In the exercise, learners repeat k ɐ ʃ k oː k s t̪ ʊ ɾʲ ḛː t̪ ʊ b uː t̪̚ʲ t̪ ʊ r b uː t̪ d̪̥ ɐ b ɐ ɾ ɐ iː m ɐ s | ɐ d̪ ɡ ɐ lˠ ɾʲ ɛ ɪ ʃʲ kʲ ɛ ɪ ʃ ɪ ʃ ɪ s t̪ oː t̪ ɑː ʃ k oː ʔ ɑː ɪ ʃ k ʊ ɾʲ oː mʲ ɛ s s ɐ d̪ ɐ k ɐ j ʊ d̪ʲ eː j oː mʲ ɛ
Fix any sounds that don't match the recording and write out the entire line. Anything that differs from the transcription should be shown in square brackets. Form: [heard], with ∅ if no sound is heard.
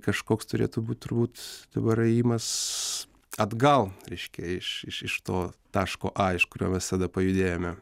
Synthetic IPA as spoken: k ɐ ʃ k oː k s t̪ ʊ ɾʲ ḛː t̪ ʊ b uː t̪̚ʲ t̪ ʊ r b uː t̪ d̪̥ ɐ b ɐ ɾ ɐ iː m ɐ s | ɐ d̪ ɡ ɐ lˠ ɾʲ ɛ ɪ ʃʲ kʲ ɛ ɪ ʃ ɪ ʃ ɪ [ʃ] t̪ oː t̪ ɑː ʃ k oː ʔ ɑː ɪ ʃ k ʊ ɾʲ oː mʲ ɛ s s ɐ d̪ ɐ [p] ɐ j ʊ d̪ʲ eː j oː mʲ ɛ